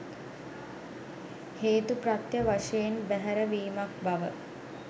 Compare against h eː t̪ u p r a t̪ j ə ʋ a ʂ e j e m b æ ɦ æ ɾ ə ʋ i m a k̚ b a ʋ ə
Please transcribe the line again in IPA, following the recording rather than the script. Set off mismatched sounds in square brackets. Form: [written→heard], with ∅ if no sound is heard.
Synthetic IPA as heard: h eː t̪ u p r a t̪ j ə ʋ a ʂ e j e [m→n] b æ ɦ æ ɾ ə ʋ [i→iː] m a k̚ b a ʋ ə